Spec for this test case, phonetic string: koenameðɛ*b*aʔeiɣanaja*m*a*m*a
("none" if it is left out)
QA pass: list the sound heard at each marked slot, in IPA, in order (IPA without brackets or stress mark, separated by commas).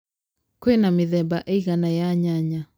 b, ɲ, ɲ